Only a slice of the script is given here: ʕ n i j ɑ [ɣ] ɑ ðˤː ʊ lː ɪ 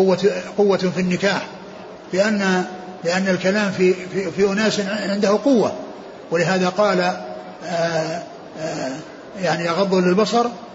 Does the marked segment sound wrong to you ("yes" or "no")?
no